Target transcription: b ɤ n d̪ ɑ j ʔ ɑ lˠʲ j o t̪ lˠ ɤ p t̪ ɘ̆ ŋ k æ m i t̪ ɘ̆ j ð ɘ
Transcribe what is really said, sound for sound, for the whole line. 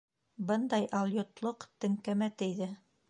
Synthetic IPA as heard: b ɤ n d̪ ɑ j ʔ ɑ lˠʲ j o t̪ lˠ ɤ q t̪ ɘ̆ ŋ k æ m æ t̪ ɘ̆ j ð ɘ